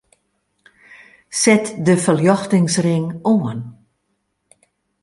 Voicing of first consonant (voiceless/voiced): voiceless